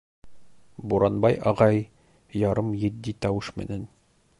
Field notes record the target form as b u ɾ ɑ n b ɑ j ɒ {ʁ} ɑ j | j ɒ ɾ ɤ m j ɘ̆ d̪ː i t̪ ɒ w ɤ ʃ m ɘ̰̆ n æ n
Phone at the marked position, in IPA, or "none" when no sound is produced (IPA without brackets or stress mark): ʁ